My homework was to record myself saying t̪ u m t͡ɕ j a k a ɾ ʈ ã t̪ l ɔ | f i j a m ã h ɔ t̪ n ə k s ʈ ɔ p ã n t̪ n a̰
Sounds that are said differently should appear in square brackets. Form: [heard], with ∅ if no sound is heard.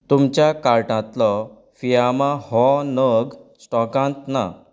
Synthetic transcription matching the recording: t̪ u m t͡ɕ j a k a ɾ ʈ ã t̪ l ɔ | f i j a m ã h ɔ [∅] n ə [ɡ] s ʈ ɔ [k] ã n t̪ n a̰